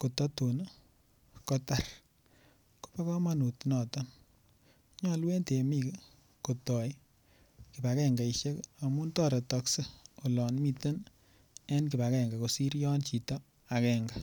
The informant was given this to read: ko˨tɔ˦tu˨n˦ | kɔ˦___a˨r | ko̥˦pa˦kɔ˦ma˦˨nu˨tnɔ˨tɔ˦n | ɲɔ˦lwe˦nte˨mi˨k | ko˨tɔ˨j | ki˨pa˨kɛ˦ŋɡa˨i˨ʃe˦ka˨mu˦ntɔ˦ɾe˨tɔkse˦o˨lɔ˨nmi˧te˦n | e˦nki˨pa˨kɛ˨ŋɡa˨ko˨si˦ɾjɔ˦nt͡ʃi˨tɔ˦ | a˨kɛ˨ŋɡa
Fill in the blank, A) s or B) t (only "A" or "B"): B